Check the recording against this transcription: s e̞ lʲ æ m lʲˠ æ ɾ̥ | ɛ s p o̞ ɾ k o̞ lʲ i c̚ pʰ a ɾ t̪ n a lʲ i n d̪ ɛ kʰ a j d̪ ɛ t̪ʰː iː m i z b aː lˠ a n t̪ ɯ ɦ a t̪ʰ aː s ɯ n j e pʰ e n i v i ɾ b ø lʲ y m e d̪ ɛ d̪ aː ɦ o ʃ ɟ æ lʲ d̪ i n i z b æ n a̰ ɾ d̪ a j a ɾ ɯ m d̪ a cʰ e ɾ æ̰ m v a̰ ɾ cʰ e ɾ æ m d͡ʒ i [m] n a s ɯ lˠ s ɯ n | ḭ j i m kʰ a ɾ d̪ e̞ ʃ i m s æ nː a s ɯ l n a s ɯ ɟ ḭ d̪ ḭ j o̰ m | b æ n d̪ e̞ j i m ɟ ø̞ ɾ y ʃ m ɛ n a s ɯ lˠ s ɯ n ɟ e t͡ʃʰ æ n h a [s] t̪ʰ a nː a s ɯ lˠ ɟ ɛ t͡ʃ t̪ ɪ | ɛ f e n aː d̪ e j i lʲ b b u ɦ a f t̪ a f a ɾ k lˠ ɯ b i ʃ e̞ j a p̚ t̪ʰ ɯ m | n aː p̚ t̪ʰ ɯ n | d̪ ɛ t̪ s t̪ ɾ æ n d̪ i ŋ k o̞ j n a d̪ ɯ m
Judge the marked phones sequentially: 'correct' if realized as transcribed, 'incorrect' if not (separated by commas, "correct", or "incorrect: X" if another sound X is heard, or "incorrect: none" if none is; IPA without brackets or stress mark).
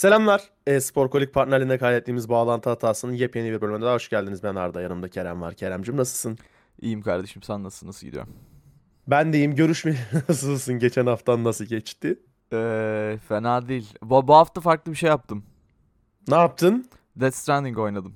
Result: correct, incorrect: f